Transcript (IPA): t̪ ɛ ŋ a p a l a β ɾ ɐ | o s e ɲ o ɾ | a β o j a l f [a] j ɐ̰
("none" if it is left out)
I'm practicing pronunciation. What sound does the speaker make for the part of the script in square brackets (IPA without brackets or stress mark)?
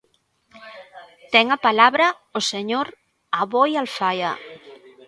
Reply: a